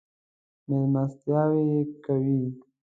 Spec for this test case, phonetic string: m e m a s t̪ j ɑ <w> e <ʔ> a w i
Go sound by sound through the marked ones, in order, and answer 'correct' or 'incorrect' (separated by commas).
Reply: correct, incorrect